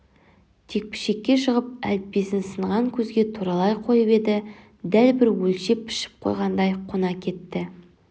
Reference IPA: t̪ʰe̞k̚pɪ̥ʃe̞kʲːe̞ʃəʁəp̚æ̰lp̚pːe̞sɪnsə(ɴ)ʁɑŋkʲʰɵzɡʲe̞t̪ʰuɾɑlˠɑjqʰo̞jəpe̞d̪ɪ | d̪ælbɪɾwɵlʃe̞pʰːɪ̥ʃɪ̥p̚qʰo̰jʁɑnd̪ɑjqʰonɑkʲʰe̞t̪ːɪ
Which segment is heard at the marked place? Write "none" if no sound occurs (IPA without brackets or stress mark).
ɴ